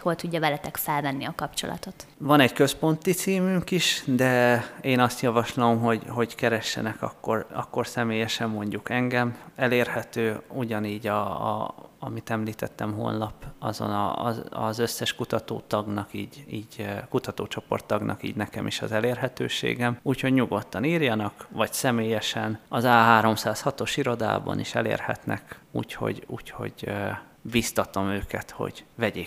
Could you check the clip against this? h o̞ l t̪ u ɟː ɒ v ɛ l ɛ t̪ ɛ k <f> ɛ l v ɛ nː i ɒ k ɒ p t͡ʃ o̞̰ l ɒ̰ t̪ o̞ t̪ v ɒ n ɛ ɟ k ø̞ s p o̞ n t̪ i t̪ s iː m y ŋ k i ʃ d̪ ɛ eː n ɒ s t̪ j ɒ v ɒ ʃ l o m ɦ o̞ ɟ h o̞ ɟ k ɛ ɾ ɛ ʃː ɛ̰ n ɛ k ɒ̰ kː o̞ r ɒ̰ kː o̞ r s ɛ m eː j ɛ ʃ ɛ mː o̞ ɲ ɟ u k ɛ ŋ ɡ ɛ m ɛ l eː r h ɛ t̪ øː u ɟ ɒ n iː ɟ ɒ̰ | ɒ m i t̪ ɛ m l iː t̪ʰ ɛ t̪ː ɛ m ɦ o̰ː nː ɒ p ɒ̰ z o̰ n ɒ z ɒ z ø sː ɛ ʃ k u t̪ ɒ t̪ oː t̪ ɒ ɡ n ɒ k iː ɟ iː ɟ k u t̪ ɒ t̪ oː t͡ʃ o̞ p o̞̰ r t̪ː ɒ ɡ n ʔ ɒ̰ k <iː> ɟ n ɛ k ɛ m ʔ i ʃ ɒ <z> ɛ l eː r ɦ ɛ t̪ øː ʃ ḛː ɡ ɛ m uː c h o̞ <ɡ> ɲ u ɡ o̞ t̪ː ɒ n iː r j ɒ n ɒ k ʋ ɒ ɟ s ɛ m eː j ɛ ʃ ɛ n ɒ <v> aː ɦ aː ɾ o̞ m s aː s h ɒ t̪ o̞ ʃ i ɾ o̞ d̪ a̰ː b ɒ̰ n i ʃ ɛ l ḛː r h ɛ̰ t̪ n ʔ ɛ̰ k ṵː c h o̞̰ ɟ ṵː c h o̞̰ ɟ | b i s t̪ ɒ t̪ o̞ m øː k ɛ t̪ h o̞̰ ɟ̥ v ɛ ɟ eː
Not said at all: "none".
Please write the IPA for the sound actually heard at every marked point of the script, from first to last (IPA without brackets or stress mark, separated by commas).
f, iː, z, ɟ, z